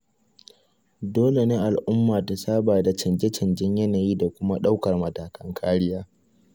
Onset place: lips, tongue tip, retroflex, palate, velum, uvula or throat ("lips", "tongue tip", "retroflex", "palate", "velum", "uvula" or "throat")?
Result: tongue tip